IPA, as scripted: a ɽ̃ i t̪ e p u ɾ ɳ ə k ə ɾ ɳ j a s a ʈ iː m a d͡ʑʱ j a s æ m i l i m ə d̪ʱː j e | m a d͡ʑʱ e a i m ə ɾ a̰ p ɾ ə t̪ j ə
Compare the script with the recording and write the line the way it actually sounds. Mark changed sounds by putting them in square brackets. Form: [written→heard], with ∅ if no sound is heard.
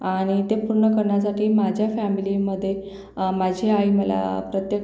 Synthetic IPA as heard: a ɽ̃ i t̪ e p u ɾ ɳ ə k ə ɾ ɳ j a s a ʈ iː m a d͡ʑʱ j a [s→f] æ m i l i m ə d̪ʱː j e | m a d͡ʑʱ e a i m ə [ɾ→l] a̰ p ɾ ə t̪ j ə